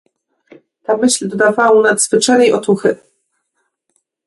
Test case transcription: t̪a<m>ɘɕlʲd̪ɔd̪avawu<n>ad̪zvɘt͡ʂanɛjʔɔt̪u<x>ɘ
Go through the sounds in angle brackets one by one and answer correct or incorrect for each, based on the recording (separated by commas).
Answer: correct, correct, correct